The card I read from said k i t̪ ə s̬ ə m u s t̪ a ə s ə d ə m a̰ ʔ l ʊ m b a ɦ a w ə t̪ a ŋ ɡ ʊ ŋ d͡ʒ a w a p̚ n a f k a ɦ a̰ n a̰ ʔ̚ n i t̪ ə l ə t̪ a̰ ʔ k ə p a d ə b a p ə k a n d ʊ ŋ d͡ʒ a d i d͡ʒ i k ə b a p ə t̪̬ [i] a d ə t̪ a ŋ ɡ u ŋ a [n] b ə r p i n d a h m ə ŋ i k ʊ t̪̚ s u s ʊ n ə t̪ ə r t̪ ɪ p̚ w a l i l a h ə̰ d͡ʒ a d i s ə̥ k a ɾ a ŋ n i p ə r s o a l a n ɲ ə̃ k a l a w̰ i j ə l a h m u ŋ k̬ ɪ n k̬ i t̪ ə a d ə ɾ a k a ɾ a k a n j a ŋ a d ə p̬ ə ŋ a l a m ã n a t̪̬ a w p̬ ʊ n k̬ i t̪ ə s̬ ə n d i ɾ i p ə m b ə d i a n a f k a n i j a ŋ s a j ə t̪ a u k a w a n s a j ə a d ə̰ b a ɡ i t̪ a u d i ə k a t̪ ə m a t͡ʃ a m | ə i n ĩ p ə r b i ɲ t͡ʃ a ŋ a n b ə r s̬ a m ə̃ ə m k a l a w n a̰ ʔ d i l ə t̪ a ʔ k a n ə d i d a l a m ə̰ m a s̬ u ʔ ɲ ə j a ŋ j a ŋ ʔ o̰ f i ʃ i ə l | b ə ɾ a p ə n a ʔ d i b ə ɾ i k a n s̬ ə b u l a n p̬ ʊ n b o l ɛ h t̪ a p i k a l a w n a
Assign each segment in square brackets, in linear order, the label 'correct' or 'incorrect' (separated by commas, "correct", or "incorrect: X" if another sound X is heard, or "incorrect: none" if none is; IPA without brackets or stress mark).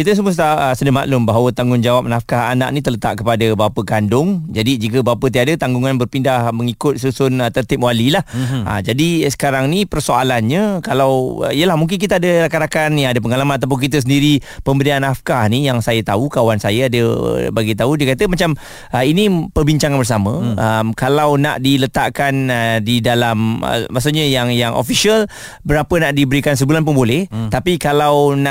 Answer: correct, correct